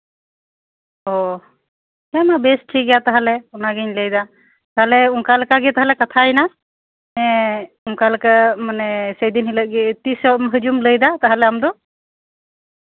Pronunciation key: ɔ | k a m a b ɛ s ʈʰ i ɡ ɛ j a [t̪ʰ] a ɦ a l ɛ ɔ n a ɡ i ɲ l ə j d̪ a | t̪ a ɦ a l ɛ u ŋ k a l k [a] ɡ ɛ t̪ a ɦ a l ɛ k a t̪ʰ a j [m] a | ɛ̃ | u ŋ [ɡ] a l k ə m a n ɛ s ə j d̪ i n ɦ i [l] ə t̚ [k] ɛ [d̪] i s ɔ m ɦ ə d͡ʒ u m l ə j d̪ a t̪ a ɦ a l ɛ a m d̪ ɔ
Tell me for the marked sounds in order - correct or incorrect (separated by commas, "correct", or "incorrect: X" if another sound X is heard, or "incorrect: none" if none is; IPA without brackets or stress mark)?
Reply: incorrect: t̪, correct, incorrect: n, incorrect: k, correct, incorrect: ɡ, incorrect: t̪